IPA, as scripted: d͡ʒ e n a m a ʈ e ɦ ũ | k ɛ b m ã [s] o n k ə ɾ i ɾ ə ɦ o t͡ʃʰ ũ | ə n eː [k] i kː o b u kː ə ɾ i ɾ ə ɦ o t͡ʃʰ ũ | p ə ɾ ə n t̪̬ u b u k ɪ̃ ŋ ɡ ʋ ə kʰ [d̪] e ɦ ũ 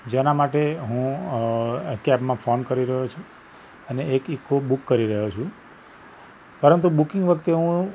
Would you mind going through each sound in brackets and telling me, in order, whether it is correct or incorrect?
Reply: incorrect: f, correct, incorrect: t̪

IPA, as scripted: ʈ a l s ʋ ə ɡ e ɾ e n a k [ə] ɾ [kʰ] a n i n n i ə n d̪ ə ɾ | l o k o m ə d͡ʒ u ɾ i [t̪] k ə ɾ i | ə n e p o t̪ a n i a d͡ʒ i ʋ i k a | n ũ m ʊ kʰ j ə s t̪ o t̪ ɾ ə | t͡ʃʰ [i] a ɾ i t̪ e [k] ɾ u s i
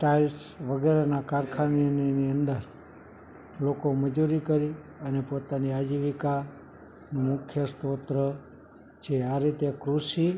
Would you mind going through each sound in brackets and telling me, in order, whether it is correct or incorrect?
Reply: incorrect: a, correct, incorrect: none, incorrect: e, correct

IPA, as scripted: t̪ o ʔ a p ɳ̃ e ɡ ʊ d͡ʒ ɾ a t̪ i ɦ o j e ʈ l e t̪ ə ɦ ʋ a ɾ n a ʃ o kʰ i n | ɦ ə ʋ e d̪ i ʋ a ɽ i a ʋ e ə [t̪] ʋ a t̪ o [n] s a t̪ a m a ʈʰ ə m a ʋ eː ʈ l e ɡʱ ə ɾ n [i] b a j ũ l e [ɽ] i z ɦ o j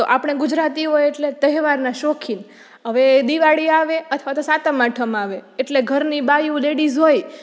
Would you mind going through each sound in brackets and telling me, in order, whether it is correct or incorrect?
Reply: incorrect: t̪ʰ, incorrect: none, correct, correct

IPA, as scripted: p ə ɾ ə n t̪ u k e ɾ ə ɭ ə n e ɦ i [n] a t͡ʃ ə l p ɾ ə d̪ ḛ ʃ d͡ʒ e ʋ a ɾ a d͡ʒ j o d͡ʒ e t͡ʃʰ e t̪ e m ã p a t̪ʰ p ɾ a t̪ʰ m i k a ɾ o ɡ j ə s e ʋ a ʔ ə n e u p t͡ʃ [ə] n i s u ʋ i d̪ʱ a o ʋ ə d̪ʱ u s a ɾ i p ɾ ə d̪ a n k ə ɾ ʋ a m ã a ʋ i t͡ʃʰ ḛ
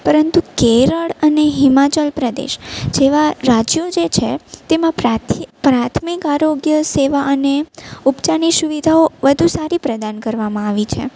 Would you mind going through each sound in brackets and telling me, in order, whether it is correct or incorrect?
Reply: incorrect: m, incorrect: a

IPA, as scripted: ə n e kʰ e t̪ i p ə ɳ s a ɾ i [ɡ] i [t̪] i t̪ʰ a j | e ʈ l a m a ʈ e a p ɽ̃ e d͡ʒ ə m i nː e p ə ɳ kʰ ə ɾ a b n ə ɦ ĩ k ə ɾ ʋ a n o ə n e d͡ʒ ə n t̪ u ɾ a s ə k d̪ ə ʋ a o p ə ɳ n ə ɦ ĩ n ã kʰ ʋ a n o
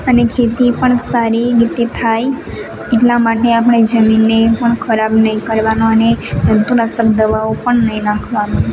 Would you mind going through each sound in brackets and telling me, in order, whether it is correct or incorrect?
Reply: correct, correct

